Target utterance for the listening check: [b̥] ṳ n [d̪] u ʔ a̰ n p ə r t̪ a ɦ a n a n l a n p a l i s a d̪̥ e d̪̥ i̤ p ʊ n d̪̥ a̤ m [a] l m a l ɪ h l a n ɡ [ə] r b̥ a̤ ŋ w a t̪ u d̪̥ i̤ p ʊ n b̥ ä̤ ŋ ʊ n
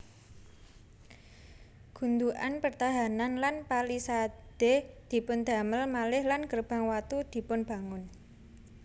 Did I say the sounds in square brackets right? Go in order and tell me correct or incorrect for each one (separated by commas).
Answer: incorrect, correct, incorrect, correct